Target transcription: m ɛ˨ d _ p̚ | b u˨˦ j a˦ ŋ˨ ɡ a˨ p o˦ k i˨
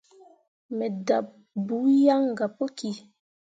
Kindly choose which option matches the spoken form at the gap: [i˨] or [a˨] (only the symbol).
a˨